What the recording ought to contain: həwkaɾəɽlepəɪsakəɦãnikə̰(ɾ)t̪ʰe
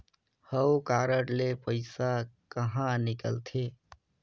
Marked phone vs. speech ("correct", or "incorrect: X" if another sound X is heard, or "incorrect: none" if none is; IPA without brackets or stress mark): incorrect: l